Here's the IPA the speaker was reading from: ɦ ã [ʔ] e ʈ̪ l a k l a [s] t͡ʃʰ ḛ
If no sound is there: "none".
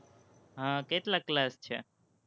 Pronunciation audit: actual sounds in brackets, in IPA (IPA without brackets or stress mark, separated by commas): k, s